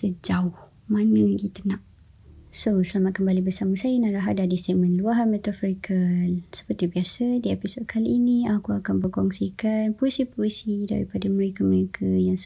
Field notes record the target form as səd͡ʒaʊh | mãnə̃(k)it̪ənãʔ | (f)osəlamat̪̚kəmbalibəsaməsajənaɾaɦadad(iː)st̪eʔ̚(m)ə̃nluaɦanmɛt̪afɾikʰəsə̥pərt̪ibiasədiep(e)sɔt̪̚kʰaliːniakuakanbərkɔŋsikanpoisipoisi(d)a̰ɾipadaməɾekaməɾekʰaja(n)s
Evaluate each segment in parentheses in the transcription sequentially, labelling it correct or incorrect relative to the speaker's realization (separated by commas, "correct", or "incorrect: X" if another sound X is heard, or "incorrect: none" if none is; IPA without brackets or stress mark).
incorrect: ɡ, incorrect: s, incorrect: i, correct, incorrect: i, correct, incorrect: ŋ